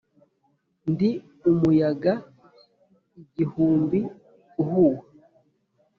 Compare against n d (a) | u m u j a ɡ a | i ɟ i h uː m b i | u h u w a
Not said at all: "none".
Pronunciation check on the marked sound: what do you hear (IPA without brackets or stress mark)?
i